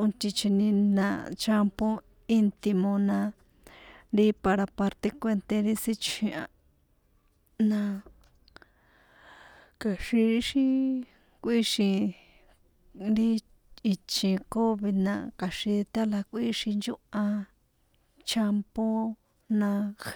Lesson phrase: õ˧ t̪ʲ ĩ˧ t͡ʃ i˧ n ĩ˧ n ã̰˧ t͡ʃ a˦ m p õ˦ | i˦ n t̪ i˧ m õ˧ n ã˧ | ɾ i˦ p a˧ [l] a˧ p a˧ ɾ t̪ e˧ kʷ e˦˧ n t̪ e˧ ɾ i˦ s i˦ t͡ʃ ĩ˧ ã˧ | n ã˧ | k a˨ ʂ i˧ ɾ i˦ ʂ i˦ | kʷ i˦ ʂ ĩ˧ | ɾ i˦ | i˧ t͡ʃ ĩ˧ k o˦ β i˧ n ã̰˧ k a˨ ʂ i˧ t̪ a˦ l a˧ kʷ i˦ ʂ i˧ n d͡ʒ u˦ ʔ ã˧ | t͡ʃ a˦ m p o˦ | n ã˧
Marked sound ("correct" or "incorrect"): incorrect